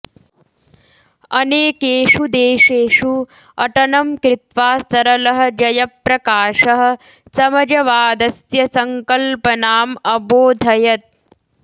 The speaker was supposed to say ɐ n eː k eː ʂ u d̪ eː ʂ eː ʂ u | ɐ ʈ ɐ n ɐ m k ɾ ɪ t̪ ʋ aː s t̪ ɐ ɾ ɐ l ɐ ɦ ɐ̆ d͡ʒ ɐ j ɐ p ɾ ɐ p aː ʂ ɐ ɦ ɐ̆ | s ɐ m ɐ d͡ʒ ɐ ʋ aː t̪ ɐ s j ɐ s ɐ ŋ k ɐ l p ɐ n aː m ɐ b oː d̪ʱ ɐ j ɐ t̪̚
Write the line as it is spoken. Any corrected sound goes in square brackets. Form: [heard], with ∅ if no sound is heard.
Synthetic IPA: ɐ n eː k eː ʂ u d̪ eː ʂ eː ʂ u | ɐ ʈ ɐ n ɐ m k ɾ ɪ t̪ ʋ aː s t̪ ɐ ɾ ɐ l ɐ ɦ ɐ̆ d͡ʒ ɐ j ɐ p ɾ ɐ [k] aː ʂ ɐ ɦ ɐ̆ | s ɐ m ɐ d͡ʒ ɐ ʋ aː [d̪] ɐ s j ɐ s ɐ ŋ k ɐ l p ɐ n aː m ɐ b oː d̪ʱ ɐ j ɐ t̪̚